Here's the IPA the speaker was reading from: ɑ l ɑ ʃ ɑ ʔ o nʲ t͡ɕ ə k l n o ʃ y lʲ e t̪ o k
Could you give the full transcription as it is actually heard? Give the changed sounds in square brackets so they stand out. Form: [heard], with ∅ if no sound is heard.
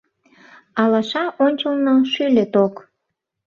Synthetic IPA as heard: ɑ l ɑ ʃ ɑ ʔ o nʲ t͡ɕ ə [∅] l n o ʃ y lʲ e t̪ o k

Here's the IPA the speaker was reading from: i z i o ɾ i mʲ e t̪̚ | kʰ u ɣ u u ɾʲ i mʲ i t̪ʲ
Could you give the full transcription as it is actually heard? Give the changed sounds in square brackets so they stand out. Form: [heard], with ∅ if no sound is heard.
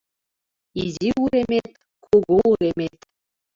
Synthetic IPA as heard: i z i [u] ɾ [e] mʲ e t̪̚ | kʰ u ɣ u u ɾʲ [e] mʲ [e] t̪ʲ

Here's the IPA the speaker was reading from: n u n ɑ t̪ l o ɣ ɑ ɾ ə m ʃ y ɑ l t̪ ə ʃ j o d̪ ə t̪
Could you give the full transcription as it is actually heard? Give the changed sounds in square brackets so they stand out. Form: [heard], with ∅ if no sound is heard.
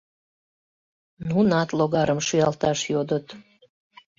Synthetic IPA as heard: n u n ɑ t̪ l o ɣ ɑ ɾ ə m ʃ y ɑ l t̪ [ɑ] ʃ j o d̪ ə t̪

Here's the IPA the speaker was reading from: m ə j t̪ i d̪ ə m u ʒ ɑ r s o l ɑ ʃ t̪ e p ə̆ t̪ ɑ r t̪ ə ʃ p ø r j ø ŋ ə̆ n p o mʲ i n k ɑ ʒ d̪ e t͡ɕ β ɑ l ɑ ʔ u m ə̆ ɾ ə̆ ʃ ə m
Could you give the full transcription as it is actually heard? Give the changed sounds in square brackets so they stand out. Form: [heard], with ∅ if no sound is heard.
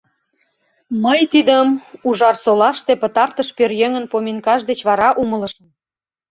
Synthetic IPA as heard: m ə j t̪ i d̪ ə m u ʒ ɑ r s o l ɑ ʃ t̪ e p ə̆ t̪ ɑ r t̪ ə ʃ p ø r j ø ŋ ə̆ n p o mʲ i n k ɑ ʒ d̪ e t͡ɕ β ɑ [ɾ] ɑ ʔ u m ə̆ [l] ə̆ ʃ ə m

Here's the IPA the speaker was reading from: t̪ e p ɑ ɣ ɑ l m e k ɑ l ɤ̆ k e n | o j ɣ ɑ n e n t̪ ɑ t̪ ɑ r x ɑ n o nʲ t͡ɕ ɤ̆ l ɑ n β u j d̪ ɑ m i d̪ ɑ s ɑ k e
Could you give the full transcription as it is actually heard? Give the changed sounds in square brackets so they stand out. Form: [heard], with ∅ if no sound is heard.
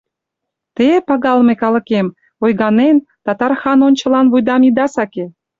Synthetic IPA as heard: t̪ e p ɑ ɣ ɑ l m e k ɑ l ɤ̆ k e [m] | o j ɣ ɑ n e n t̪ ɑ t̪ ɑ r x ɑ n o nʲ t͡ɕ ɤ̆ l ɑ n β u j d̪ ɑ m i d̪ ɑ s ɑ k e

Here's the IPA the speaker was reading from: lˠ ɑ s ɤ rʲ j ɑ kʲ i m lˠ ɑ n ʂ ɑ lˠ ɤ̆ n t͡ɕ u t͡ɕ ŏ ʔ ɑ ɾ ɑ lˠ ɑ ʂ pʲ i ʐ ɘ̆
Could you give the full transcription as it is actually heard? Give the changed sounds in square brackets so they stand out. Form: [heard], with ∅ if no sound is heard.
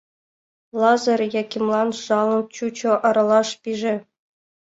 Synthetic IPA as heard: lˠ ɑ [z] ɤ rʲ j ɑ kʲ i m lˠ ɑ n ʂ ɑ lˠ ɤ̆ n t͡ɕ u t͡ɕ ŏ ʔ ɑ ɾ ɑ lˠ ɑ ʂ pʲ i ʐ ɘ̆

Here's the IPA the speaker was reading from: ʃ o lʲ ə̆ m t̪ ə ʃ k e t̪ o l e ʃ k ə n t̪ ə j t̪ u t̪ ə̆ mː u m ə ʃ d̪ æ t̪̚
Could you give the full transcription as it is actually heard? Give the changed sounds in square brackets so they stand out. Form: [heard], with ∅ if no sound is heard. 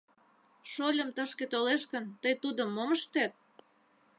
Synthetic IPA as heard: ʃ o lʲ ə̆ m t̪ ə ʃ k e t̪ o l e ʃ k ə n t̪ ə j t̪ u [d̪] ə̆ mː [o] m ə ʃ [t̪] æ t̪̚

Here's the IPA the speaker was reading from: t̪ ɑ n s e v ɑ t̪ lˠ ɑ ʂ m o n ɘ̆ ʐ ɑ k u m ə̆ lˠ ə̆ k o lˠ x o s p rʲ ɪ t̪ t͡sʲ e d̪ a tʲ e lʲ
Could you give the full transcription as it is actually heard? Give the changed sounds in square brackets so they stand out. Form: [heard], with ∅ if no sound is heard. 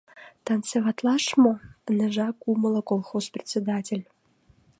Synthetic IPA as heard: t̪ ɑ n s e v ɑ t̪ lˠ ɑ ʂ m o n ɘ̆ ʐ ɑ k u m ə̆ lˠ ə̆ k o lˠ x o s p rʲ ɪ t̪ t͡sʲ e d̪ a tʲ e lʲ

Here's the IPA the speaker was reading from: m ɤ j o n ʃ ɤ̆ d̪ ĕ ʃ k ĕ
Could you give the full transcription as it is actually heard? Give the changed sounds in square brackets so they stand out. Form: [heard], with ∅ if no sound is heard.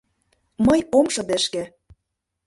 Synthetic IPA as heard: m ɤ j o [m] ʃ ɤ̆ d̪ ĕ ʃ k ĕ

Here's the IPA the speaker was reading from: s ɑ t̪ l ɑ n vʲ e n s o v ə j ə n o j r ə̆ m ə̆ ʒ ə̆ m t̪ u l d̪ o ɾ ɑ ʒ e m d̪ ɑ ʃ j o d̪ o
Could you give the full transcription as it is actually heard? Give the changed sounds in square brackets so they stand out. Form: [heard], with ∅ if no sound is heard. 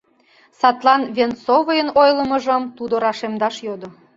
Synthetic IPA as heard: s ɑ t̪ l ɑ n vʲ e n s o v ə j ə n o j [l] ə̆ m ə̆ ʒ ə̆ m t̪ u [∅] d̪ o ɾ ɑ [ʃ] e m d̪ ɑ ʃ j o d̪ o

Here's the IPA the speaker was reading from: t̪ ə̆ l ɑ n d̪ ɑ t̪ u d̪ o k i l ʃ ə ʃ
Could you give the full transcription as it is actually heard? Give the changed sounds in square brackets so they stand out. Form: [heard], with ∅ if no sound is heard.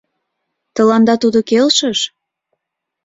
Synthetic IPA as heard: t̪ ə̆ l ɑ n d̪ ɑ t̪ u d̪ o k [e] l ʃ ə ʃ

